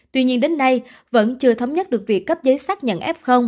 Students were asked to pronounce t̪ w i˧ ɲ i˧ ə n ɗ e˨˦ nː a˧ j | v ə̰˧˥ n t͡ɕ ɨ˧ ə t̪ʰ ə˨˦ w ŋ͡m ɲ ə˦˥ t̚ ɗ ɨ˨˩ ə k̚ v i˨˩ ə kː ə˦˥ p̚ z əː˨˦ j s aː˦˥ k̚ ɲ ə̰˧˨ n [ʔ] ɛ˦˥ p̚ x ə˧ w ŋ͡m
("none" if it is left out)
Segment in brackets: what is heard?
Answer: ʔ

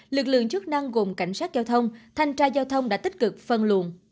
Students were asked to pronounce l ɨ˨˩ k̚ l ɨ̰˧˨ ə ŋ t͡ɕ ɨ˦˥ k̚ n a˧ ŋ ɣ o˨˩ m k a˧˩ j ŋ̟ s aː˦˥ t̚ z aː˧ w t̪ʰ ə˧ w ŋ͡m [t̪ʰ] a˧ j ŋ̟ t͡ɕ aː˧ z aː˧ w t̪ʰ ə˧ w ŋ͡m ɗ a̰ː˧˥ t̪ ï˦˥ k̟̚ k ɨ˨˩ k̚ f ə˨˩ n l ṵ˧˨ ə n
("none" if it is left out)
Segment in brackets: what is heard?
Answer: t̪ʰ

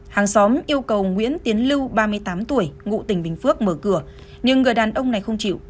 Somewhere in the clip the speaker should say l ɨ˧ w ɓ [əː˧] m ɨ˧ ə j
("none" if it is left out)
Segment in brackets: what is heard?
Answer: aː˧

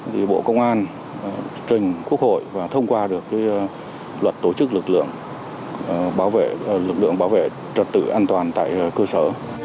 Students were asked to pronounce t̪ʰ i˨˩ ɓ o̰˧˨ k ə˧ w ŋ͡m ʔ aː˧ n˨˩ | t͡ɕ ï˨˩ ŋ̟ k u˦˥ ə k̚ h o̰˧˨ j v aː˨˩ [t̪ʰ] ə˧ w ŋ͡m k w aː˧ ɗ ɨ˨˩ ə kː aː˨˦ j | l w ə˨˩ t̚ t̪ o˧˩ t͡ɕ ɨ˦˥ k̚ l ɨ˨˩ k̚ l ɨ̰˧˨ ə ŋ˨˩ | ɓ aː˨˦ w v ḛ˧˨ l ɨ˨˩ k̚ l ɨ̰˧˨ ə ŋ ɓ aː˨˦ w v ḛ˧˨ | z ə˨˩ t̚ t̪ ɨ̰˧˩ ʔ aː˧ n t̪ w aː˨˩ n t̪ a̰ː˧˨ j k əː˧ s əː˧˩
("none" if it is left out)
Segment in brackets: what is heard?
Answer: t̪ʰ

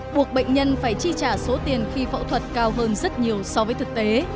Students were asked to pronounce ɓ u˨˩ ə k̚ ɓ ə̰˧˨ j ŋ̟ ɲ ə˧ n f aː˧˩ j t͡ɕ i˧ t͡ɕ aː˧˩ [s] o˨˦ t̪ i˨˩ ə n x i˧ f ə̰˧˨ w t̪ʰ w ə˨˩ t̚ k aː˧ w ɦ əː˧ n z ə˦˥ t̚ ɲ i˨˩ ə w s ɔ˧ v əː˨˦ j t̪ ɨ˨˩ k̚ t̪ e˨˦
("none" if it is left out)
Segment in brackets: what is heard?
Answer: s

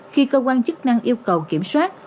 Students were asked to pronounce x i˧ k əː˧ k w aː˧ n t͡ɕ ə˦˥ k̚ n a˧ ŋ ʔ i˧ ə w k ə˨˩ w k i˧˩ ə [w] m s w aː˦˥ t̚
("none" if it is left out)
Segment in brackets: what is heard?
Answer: none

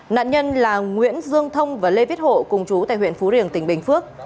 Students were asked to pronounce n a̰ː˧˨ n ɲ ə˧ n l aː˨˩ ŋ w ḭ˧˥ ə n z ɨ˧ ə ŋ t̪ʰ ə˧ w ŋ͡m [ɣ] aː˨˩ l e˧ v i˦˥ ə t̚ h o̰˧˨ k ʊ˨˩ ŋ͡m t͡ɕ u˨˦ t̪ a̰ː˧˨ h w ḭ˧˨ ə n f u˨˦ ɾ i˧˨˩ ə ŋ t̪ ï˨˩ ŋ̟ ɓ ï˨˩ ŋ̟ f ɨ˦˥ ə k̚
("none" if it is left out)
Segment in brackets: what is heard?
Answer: v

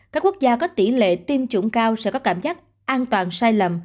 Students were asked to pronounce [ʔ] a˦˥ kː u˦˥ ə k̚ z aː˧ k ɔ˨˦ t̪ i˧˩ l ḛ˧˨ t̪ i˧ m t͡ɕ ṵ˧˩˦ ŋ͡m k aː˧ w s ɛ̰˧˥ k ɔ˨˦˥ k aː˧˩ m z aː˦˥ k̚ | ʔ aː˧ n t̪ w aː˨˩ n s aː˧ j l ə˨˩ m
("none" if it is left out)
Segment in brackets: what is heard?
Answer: k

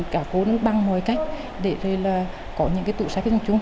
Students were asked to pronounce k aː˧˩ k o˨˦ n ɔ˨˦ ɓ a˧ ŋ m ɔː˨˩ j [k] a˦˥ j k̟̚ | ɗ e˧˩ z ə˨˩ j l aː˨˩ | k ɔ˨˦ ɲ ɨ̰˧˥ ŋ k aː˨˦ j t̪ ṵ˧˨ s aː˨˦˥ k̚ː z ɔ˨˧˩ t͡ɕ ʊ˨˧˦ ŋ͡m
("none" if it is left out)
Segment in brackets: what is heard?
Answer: k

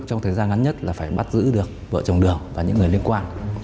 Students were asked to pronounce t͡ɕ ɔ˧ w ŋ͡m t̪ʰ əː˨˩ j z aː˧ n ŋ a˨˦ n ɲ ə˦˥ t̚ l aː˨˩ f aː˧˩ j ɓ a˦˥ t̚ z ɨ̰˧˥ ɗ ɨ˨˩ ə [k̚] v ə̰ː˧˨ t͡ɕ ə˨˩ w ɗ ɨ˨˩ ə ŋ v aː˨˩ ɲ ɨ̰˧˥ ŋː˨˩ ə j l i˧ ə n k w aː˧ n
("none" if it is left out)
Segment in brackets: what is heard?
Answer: k̚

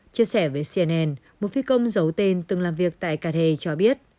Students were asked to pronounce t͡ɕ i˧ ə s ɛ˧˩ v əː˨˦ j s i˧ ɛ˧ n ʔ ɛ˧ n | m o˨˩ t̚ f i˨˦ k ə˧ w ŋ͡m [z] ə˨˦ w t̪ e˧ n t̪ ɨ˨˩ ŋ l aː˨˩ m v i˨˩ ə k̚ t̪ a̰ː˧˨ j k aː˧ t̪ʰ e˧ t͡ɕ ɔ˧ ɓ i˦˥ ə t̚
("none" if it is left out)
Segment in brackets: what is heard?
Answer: z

